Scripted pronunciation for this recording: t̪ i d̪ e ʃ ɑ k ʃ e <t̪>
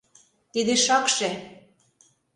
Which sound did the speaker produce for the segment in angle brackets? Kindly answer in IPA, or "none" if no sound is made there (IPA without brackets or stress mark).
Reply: none